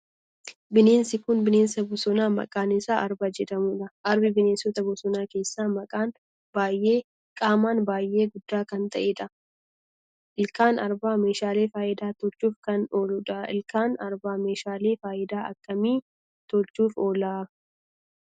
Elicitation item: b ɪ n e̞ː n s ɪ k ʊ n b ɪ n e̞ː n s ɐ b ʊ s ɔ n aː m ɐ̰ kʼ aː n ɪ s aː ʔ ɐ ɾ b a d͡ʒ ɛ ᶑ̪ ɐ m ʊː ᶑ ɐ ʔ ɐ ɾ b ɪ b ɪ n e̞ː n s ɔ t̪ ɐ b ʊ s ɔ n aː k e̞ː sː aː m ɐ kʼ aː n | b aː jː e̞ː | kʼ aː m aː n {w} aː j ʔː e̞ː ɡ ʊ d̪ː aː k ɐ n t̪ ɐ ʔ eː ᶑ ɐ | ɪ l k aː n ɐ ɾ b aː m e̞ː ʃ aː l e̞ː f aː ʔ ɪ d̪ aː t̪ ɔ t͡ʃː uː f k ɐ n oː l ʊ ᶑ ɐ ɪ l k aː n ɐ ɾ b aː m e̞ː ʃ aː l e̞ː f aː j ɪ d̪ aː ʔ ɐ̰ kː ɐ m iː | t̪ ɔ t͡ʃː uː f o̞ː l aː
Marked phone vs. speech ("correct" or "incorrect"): incorrect